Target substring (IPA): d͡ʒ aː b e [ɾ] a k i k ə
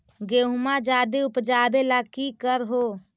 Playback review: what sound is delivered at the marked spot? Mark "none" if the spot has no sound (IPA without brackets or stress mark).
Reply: l